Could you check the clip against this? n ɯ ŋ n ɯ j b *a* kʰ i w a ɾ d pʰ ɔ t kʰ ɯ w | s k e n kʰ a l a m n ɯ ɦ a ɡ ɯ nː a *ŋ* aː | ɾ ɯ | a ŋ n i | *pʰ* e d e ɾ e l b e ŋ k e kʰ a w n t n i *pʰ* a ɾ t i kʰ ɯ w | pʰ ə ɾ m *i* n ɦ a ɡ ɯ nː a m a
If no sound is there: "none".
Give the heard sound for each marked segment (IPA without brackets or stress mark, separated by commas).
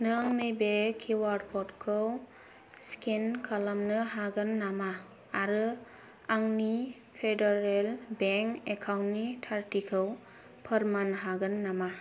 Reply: e, m, pʰ, tʰ, a